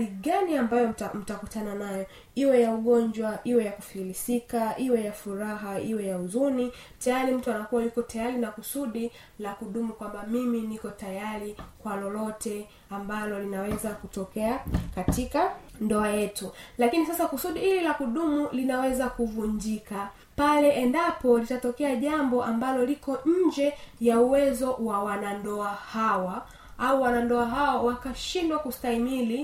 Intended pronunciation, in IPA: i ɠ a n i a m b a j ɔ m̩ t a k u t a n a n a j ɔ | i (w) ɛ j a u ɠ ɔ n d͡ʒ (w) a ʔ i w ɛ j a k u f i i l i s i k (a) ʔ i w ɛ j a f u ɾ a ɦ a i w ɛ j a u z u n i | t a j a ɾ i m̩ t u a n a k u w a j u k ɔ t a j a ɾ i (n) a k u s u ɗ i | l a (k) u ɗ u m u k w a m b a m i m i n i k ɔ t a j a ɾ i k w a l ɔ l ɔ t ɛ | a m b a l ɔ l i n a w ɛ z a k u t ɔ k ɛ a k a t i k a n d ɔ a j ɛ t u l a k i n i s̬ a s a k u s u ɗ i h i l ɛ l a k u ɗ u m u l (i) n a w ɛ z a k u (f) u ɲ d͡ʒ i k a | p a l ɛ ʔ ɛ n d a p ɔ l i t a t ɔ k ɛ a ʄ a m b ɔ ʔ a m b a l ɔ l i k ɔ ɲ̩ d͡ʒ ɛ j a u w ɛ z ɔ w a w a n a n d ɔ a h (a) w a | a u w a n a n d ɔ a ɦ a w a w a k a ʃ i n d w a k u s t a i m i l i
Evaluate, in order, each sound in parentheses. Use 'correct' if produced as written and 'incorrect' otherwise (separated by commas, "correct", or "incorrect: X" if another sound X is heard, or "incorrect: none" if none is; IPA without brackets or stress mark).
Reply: correct, correct, correct, correct, correct, correct, incorrect: v, correct